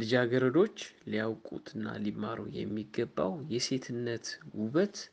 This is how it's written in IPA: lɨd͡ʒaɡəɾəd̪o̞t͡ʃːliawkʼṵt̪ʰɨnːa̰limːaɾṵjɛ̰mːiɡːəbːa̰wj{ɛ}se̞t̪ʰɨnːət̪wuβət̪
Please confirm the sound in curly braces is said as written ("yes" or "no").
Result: yes